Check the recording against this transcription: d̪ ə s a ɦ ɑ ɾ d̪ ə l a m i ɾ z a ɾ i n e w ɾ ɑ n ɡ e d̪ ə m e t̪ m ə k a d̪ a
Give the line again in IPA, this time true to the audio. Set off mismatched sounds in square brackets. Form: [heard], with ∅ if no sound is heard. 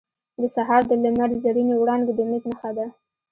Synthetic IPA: d̪ ə s a ɦ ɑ ɾ d̪ ə l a m [a] ɾ z a ɾ i n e w [ɽ] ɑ n ɡ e d̪ ə m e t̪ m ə [x] a d̪ a